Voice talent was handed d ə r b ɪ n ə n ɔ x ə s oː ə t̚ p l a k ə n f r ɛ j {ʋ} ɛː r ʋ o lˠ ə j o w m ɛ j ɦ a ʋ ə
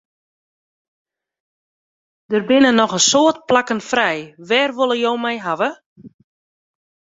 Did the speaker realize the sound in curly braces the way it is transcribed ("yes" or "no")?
yes